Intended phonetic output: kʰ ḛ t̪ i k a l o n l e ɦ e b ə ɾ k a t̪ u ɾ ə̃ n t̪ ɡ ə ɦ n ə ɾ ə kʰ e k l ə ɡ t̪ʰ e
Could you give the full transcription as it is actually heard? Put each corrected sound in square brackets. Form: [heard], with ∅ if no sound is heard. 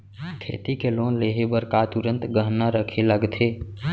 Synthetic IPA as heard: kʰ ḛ t̪ i k [e] l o n l e ɦ e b ə ɾ k a t̪ u ɾ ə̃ n t̪ ɡ ə ɦ n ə ɾ ə kʰ e [∅] l ə ɡ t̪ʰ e